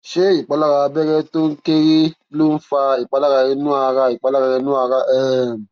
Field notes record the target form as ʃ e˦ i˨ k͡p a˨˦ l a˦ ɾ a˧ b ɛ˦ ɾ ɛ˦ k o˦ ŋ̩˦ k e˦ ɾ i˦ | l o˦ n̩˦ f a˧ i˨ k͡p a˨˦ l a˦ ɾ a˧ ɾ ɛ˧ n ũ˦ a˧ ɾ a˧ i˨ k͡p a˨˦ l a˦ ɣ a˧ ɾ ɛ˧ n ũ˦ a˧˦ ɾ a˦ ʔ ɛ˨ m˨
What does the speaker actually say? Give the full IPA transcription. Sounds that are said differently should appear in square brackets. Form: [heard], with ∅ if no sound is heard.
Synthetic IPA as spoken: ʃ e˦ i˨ k͡p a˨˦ l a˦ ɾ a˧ b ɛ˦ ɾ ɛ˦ [t] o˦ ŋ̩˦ k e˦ ɾ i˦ | l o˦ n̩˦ f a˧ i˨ k͡p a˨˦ l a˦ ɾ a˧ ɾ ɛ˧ n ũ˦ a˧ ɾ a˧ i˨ k͡p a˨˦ l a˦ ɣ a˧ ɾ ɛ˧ n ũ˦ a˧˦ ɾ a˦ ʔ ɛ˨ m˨